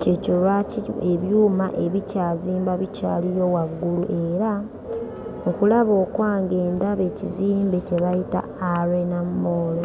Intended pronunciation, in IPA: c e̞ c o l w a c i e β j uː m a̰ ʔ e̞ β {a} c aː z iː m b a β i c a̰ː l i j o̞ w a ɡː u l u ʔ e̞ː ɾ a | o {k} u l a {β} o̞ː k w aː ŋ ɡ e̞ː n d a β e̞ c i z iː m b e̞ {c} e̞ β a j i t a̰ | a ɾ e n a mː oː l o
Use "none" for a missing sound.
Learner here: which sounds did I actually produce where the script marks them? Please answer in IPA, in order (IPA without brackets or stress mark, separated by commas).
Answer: i, k, β, c